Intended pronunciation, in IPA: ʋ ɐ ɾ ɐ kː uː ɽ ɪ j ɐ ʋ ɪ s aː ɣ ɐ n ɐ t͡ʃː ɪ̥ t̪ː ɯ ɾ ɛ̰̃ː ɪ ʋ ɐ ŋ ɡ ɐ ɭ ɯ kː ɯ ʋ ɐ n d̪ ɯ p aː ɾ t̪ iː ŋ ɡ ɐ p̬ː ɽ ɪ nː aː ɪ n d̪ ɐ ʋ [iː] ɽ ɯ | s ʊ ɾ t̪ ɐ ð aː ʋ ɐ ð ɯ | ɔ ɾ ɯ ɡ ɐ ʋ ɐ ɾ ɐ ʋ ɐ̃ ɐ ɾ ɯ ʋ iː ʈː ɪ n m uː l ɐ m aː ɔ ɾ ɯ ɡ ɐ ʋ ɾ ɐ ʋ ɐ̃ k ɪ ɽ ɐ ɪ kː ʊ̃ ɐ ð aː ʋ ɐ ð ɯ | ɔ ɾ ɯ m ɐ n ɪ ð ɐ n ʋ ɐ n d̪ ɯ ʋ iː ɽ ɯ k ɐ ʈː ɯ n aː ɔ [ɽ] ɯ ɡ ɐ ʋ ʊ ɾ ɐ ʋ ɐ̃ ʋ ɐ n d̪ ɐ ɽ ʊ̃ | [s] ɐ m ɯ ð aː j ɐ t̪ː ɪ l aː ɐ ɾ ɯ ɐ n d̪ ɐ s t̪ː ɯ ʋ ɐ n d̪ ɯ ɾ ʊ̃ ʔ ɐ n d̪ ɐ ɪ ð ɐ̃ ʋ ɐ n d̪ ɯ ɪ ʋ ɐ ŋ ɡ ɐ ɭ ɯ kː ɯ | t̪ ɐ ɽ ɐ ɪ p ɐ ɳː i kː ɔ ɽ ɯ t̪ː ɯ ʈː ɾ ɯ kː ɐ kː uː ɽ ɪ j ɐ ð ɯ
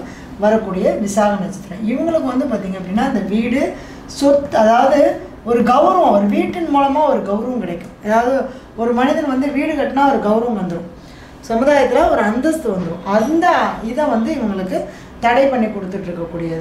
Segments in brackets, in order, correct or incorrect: correct, incorrect: ɾ, correct

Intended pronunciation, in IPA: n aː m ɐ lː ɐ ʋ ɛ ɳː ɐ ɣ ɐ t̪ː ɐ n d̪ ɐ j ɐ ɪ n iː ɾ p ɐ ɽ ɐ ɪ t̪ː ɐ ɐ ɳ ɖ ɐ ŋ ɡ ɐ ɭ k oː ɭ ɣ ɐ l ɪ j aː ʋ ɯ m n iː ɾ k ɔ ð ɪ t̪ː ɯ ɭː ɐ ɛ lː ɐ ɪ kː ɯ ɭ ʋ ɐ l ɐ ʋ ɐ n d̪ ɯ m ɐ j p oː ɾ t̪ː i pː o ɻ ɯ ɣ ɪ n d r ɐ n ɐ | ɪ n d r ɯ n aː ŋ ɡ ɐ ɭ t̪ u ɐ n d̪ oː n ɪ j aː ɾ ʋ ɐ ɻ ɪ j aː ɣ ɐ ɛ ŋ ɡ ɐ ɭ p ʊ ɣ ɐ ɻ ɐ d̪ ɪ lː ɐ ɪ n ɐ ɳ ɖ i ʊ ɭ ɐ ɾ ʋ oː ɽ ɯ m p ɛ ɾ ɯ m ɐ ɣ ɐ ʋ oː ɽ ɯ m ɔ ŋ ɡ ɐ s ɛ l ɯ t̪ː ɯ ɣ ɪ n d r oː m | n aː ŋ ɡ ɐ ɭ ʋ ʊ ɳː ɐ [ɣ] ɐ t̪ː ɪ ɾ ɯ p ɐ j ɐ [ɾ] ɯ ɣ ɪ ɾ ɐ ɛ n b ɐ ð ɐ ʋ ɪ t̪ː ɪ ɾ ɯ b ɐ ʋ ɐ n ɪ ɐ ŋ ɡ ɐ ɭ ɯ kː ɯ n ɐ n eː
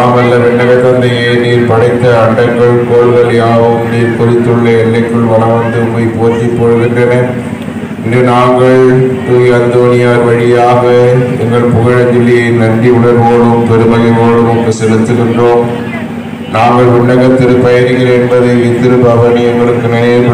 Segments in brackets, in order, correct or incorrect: correct, correct

